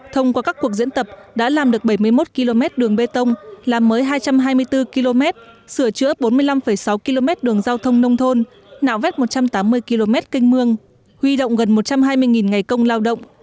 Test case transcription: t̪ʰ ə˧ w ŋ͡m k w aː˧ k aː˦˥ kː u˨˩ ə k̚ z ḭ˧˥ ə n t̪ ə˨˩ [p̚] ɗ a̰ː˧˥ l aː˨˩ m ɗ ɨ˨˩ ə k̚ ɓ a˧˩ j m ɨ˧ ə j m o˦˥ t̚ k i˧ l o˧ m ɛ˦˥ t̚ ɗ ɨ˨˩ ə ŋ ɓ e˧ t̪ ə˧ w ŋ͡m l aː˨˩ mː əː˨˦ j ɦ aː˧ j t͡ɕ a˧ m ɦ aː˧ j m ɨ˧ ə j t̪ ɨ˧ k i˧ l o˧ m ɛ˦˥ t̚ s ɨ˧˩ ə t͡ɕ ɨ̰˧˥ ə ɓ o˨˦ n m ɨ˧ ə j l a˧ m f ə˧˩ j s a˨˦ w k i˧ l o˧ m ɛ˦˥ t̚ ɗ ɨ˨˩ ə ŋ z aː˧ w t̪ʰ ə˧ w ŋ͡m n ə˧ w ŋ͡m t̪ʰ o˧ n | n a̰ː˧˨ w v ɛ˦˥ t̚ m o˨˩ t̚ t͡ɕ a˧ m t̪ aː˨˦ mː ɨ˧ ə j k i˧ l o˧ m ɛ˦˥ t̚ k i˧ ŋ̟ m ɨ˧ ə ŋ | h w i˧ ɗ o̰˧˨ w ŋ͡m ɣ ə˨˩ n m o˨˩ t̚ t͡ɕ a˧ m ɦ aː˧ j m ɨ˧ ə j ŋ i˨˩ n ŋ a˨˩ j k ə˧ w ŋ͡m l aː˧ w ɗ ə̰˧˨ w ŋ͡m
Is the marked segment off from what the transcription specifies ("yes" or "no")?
no